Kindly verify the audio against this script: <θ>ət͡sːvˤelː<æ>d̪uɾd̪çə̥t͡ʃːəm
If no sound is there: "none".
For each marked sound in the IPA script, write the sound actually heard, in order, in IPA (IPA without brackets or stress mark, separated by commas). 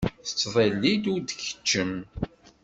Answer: θ, i